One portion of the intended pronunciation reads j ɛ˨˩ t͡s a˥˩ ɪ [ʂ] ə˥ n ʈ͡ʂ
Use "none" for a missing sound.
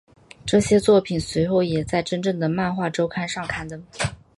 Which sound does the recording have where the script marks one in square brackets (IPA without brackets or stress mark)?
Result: ʈ͡ʂ